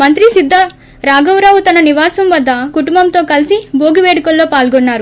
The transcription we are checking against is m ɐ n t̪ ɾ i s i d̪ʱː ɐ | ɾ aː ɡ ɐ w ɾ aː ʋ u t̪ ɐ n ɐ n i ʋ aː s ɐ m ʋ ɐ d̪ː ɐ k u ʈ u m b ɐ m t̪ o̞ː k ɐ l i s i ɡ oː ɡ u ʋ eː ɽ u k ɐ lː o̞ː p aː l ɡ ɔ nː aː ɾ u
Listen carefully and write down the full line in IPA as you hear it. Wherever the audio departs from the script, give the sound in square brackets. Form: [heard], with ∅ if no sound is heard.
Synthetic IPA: m ɐ n t̪ ɾ i s i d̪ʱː ɐ | ɾ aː ɡ ɐ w ɾ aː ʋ u t̪ ɐ n ɐ n i ʋ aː s ɐ m ʋ ɐ d̪ː ɐ k u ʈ u m b ɐ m t̪ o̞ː k ɐ l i s i [b] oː ɡ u ʋ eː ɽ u k ɐ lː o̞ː p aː l ɡ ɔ nː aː ɾ u